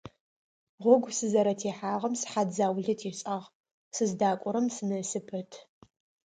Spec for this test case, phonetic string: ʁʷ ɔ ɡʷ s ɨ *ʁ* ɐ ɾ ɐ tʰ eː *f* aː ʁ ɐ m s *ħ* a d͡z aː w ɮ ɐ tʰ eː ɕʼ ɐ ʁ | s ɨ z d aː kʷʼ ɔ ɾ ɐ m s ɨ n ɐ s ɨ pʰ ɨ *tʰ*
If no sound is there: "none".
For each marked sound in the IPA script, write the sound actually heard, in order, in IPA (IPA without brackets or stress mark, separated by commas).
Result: z, ħ, ħ, tʰ